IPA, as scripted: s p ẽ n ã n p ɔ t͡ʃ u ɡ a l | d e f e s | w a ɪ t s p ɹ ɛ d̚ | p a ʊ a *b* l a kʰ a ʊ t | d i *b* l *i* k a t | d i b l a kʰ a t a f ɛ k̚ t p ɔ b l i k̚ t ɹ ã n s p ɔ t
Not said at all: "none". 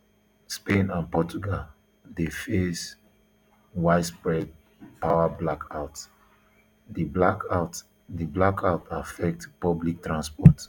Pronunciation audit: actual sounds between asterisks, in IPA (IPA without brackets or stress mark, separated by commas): b, b, a